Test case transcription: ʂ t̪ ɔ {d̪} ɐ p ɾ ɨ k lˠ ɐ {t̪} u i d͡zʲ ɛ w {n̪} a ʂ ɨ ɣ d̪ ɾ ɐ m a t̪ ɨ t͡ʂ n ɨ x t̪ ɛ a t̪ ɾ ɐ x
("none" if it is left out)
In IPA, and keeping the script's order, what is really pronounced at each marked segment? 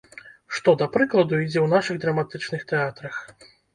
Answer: d̪, d̪, n̪

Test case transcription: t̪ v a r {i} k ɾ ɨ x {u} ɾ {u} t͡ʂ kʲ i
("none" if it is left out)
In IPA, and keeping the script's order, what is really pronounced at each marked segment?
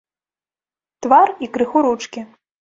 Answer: i, u, u

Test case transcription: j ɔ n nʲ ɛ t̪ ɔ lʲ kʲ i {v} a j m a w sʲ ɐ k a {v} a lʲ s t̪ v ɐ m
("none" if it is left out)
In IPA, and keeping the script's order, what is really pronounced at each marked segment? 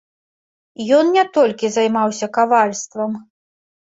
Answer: z, v

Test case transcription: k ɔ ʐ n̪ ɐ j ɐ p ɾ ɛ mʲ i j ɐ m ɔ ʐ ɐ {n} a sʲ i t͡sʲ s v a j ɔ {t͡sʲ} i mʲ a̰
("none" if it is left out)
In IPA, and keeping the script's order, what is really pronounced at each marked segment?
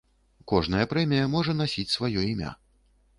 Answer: n, none

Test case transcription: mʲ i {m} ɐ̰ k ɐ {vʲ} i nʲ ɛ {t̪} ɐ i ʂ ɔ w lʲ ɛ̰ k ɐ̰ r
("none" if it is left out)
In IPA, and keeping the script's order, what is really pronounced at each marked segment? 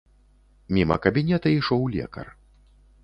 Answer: m, bʲ, t̪

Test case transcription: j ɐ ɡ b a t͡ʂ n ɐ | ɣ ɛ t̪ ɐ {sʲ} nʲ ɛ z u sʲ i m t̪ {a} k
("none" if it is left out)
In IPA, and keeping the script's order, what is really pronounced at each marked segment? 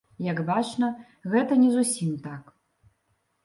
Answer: none, a

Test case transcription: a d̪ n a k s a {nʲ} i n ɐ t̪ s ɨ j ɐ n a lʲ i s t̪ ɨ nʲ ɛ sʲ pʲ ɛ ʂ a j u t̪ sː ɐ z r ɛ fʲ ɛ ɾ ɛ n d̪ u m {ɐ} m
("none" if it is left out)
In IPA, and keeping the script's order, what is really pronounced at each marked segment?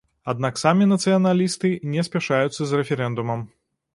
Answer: mʲ, ɐ

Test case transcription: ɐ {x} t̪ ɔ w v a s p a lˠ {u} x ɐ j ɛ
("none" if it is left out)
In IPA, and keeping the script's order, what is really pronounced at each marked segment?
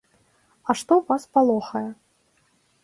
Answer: ʂ, ɔ

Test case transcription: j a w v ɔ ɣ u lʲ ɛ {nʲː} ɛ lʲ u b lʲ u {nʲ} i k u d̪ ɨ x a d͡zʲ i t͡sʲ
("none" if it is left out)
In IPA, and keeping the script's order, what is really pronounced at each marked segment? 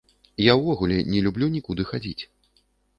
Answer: nʲ, nʲ

